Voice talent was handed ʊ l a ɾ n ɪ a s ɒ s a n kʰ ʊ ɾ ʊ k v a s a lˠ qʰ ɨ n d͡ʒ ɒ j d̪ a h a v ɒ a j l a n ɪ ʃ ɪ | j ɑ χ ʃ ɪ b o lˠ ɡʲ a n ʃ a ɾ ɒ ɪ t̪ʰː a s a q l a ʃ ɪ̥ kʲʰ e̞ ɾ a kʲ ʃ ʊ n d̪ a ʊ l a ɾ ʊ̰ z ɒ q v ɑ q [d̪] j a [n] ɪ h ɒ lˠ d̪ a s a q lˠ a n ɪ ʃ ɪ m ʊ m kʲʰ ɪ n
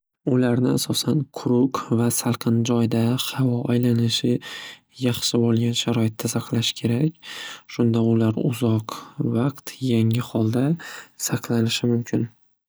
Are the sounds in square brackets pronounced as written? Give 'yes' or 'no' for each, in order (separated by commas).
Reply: no, no